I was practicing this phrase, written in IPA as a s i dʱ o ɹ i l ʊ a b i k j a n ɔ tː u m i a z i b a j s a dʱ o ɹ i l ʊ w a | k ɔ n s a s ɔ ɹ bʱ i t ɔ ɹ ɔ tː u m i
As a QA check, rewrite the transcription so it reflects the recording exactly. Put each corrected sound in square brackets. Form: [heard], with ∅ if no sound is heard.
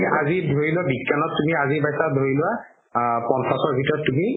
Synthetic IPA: a [z] i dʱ o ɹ i l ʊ a b i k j a n ɔ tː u m i a z i b a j s a dʱ o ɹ i l ʊ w a | [p] ɔ n s a s ɔ ɹ bʱ i t ɔ ɹ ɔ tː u m i